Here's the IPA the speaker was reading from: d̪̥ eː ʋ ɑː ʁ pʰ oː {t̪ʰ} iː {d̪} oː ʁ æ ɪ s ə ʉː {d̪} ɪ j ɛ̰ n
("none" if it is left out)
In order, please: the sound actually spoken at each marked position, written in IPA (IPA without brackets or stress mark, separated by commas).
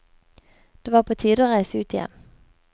t̪ʰ, d̪, t̪